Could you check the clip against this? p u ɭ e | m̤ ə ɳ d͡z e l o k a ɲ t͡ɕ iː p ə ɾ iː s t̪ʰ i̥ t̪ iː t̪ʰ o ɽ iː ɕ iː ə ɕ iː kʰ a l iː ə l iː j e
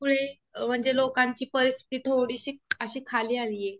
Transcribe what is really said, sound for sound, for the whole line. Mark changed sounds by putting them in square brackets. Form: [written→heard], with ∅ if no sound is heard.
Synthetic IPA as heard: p u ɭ e | m̤ ə ɳ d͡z e l o k a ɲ t͡ɕ iː p ə ɾ [iː→i] s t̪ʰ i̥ t̪ iː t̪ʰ o ɽ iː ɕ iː ə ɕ iː kʰ a l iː [ə→a] l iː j e